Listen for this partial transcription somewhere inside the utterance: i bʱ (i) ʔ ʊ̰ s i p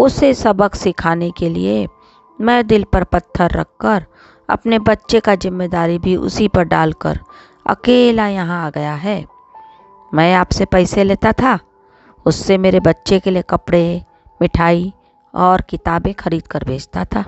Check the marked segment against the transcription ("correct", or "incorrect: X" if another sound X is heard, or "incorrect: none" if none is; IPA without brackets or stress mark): correct